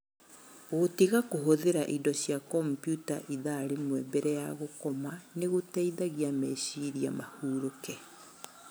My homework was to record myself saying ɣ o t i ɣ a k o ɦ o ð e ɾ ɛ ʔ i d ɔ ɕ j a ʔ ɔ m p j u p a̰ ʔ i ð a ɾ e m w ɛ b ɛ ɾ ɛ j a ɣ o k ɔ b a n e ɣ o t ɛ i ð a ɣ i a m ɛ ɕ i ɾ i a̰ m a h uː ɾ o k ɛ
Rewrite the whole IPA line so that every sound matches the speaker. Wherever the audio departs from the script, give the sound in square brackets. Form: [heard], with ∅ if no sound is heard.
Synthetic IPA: ɣ o t i ɣ a k o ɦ o ð e ɾ [a] ʔ i d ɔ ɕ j a [k] ɔ m p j u [t] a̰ ʔ i ð a ɾ e m w ɛ b ɛ ɾ ɛ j a ɣ o k ɔ [m] a n e ɣ o t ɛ i ð a ɣ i a m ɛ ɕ i ɾ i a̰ m a h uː ɾ o k ɛ